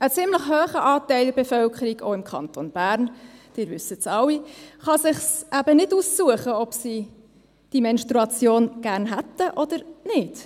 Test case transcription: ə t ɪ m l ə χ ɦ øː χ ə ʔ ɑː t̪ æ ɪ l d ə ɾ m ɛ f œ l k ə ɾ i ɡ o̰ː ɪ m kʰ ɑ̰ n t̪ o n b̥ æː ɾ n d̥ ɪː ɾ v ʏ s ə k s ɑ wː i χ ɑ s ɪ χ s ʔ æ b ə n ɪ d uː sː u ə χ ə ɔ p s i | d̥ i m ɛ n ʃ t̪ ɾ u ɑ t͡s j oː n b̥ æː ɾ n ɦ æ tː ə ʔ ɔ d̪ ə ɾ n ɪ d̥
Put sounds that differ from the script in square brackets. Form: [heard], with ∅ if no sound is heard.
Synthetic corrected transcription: ə [t͡s] ɪ m l ə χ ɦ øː χ ə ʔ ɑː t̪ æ ɪ l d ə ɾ [b] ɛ f œ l k ə ɾ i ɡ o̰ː ɪ m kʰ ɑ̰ n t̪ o n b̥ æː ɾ n d̥ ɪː ɾ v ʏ s ə [t] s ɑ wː i χ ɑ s ɪ χ s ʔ æ b ə n ɪ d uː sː u ə χ ə ɔ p s i | d̥ i m ɛ n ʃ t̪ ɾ u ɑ t͡s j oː n [ɡ̥] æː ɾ n ɦ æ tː ə ʔ ɔ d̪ ə ɾ n ɪ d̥

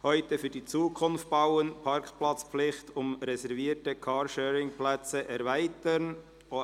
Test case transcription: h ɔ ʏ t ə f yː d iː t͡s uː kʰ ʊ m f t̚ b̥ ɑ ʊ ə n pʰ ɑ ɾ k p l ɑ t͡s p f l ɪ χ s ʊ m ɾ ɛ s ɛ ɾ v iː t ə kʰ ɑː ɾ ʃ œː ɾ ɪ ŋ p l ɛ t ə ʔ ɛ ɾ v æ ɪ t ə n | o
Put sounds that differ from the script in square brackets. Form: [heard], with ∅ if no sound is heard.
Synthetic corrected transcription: h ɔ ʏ t ə f yː d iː t͡s uː kʰ ʊ [n] f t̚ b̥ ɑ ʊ ə n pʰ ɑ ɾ k p l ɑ t͡s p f l ɪ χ [t] ʊ m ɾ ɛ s ɛ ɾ v iː t ə kʰ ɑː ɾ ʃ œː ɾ ɪ ŋ p l ɛ [t͡s] ə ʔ ɛ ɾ v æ ɪ t ə n | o

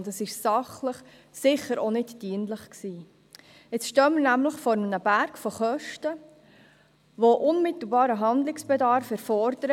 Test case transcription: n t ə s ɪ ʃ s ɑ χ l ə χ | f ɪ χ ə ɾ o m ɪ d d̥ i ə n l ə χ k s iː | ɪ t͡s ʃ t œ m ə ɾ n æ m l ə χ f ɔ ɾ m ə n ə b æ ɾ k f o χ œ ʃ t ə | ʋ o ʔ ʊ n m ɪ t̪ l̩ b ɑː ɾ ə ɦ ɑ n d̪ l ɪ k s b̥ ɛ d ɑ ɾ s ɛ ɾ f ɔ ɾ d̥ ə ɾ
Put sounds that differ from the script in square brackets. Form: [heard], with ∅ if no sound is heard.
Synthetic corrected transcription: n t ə s ɪ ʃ s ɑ χ l ə χ | [s] ɪ χ ə ɾ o [n] ɪ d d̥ i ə n l ə χ k s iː | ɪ t͡s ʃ t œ m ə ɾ n æ m l ə χ f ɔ ɾ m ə n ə b æ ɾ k f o χ œ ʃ t ə | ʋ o ʔ ʊ n m ɪ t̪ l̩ b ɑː ɾ ə ɦ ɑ n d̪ l ɪ k s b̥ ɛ d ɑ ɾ [f] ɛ ɾ f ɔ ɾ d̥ ə ɾ

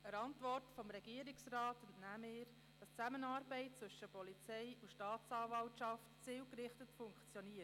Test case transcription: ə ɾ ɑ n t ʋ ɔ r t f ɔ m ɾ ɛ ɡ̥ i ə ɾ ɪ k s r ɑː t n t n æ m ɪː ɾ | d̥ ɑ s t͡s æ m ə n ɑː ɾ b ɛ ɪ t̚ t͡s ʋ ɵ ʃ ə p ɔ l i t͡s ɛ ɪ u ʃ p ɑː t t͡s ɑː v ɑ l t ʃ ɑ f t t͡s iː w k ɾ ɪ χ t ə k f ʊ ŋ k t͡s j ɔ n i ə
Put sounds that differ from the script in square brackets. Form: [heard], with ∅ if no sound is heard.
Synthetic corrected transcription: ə ɾ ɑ n t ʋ ɔ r t f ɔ m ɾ ɛ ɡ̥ i ə ɾ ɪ k s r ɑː t n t n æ m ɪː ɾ | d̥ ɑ s t͡s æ m ə n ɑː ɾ b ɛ ɪ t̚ t͡s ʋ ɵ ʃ ə p ɔ l i t͡s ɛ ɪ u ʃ [t] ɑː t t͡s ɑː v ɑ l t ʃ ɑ f t t͡s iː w k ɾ ɪ χ t ə [t] f ʊ ŋ k t͡s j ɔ n i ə

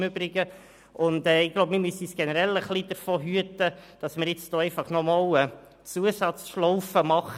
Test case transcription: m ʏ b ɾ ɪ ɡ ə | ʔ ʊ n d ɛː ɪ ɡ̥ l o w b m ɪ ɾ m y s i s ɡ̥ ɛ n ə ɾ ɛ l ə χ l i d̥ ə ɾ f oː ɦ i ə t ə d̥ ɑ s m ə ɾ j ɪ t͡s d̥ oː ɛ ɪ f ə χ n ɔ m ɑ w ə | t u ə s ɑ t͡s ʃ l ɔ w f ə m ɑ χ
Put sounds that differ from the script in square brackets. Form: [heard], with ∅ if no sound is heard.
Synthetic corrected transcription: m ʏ b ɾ ɪ ɡ ə | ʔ ʊ n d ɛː ɪ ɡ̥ l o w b m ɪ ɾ m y s i s ɡ̥ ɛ n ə ɾ ɛ l ə χ l i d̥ ə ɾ f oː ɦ [y] ə t ə d̥ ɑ s m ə ɾ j ɪ t͡s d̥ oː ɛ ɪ f [ɑ] χ n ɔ m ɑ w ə | [t͡s] u ə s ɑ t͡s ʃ l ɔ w f ə m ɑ χ

